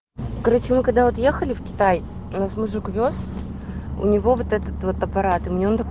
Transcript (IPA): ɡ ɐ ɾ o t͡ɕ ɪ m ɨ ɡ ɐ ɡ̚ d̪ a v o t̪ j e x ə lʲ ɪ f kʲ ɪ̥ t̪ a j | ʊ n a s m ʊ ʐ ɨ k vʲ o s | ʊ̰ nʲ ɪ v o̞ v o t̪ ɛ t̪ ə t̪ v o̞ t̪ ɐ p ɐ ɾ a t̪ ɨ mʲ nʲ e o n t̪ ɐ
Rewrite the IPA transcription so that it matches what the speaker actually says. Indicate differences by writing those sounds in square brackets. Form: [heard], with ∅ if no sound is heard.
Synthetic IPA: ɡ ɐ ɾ o t͡ɕ ɪ m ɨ [k] ɐ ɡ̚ d̪ a v o t̪ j e x ə lʲ ɪ f kʲ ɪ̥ t̪ a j | ʊ n a s m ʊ ʐ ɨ k vʲ o s | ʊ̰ nʲ ɪ v o̞ v o t̪ ɛ t̪ ə t̪ v o̞ t̪ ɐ p ɐ ɾ a t̪ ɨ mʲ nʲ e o n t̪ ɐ